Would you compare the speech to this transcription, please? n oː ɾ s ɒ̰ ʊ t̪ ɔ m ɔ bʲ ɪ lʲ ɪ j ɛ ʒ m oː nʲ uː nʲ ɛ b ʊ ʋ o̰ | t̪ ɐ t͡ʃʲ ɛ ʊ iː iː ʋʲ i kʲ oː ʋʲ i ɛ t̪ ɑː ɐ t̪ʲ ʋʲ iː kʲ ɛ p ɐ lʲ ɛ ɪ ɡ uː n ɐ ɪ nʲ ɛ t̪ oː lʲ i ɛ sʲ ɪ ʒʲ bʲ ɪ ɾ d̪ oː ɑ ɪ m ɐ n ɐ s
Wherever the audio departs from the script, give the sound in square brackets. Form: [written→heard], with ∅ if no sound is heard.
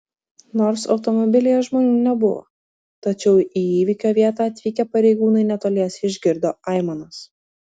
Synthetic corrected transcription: n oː ɾ s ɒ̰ ʊ t̪ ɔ m ɔ bʲ ɪ lʲ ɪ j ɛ ʒ m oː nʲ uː nʲ ɛ b ʊ ʋ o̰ | t̪ ɐ t͡ʃʲ ɛ ʊ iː iː ʋʲ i kʲ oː ʋʲ i ɛ t̪ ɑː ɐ t̪ʲ ʋʲ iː kʲ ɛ p ɐ [lʲ→ɾʲ] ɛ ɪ ɡ uː n ɐ ɪ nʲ ɛ t̪ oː lʲ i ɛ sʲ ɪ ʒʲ [bʲ→ɡʲ] ɪ ɾ d̪ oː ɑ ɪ m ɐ n ɐ s